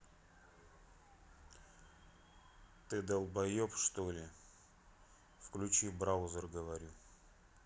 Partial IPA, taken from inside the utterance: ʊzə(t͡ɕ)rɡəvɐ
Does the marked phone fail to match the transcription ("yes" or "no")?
yes